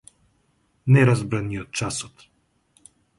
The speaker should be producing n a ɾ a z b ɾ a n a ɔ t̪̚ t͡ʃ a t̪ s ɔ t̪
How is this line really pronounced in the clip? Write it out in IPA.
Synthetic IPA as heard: n ɛ ɾ a z b ɾ a n i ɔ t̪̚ t͡ʃ a s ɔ t̪

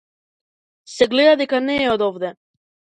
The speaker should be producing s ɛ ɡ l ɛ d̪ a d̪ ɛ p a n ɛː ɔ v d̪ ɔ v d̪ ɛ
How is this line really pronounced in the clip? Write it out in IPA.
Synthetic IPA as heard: s ɛ ɡ l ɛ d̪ a d̪ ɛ k a n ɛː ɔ d̪ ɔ v d̪ ɛ

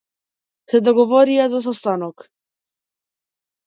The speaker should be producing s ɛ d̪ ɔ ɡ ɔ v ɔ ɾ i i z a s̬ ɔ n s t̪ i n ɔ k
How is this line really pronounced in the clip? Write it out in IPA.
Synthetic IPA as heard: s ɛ d̪ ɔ ɡ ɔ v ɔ ɾ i a z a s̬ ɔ s t̪ a n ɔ k

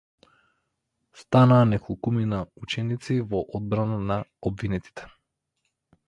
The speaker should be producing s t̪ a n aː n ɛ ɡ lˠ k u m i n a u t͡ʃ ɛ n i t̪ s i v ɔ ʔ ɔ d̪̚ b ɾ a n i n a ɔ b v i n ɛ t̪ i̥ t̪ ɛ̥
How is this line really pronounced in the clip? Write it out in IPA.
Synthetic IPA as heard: s t̪ a n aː n ɛ k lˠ k u m i n a u t͡ʃ ɛ n i t̪ s i v ɔ ʔ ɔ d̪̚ b ɾ a n a n a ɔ b v i n ɛ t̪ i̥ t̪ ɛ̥

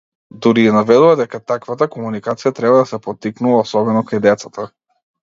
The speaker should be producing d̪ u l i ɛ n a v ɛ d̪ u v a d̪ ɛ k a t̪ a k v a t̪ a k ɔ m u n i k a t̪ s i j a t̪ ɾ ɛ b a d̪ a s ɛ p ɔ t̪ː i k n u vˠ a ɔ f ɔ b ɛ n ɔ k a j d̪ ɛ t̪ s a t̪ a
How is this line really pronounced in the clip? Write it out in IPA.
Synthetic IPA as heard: d̪ u ɾ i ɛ n a v ɛ d̪ u v a d̪ ɛ k a t̪ a k v a t̪ a k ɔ m u n i k a t̪ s i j a t̪ ɾ ɛ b a d̪ a s ɛ p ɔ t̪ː i k n u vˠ a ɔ s ɔ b ɛ n ɔ k a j d̪ ɛ t̪ s a t̪ a

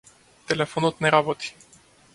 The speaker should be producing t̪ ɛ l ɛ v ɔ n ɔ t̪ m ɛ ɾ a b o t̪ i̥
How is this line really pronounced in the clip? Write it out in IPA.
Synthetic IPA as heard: t̪ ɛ l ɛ f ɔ n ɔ t̪ n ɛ ɾ a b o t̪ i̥

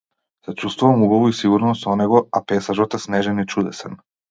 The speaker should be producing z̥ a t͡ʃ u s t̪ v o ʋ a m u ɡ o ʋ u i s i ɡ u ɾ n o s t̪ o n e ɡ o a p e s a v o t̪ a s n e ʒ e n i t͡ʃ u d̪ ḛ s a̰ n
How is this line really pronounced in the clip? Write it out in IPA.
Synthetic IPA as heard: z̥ a t͡ʃ u s t̪ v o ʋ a m u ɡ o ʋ u i s i ɡ u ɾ n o s t̪ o n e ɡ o a p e s a ʒ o t̪ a s n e ʒ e n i t͡ʃ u d̪ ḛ s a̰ n

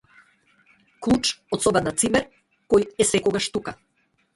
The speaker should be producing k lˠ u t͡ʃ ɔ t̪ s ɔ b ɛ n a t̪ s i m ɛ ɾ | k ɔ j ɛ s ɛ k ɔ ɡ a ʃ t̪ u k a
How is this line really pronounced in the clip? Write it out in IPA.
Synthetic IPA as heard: k lˠ u t͡ʃ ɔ t̪ s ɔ b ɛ n a t̪ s i m ɛ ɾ | k ɔ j ɛ s ɛ k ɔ ɡ a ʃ t̪ u k a

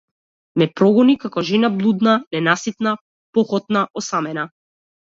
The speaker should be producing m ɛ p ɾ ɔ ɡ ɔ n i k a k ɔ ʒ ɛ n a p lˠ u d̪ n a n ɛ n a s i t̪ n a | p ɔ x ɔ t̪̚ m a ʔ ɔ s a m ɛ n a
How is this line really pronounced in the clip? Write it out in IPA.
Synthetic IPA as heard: m ɛ p ɾ ɔ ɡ ɔ n i k a k ɔ ʒ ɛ n a b lˠ u d̪ n a n ɛ n a s i t̪ n a | p ɔ x ɔ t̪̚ n a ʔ ɔ s a m ɛ n a

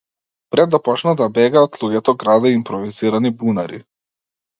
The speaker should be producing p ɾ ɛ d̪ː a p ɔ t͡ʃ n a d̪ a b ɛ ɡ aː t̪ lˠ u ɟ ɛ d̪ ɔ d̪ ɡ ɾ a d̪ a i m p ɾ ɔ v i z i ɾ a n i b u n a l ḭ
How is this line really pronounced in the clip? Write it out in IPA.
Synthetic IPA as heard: p ɾ ɛ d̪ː a p ɔ t͡ʃ n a d̪ a b ɛ ɡ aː t̪ lˠ u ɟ ɛ t̪ ɔ ɡ ɾ a d̪ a i m p ɾ ɔ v i z i ɾ a n i b u n a ɾ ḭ

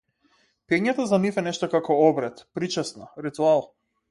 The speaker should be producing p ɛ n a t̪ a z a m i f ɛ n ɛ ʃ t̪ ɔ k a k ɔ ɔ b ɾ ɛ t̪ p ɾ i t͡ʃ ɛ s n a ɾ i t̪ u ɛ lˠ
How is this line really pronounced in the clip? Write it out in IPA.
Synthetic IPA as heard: p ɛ ɲ a t̪ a z a n i f ɛ n ɛ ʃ t̪ ɔ k a k ɔ ɔ b ɾ ɛ t̪ p ɾ i t͡ʃ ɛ s n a ɾ i t̪ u a lˠ

